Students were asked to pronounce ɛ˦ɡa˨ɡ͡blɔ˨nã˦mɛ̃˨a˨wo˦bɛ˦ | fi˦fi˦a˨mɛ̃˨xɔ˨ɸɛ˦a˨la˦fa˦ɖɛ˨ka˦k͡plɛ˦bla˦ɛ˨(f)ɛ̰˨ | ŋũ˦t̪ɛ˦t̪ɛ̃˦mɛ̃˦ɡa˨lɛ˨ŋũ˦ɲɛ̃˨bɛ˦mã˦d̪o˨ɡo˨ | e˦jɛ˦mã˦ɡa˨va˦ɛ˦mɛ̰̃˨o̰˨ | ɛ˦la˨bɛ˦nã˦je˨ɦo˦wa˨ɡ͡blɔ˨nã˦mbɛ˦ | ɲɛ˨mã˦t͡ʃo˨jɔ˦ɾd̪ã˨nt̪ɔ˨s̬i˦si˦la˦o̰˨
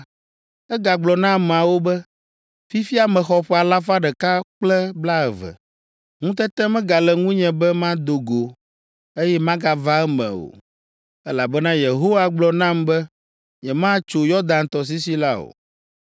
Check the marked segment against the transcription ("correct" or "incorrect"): incorrect